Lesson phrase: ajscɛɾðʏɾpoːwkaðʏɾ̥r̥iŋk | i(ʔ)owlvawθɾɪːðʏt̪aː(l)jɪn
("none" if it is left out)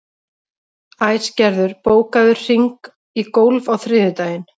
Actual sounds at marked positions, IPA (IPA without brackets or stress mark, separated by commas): k, none